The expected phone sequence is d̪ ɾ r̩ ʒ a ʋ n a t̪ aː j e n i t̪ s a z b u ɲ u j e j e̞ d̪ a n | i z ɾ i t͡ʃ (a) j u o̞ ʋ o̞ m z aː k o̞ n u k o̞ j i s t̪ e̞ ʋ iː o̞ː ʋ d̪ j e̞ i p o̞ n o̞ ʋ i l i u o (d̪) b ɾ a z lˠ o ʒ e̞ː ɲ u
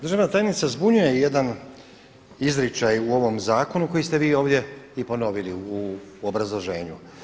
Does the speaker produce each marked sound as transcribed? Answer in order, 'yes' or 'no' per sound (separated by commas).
yes, no